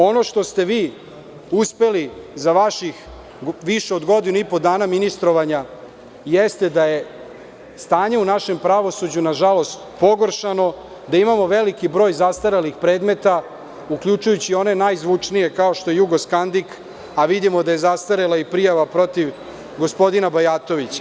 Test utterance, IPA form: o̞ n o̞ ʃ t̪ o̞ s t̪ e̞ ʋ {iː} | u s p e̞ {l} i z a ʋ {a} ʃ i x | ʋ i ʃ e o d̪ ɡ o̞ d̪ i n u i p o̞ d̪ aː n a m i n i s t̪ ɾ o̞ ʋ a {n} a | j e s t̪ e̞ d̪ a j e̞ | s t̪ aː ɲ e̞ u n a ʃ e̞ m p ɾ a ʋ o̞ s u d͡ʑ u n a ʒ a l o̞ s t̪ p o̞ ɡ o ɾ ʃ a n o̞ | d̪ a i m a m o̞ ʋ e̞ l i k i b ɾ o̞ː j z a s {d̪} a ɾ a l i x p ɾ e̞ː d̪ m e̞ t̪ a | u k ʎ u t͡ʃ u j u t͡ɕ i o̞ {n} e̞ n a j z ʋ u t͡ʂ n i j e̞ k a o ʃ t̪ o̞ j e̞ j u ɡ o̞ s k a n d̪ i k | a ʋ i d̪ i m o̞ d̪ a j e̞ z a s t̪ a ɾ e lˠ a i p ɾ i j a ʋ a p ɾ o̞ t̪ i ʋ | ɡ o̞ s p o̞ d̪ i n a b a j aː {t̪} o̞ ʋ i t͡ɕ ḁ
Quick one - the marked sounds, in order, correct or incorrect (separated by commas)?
correct, correct, correct, incorrect, incorrect, correct, correct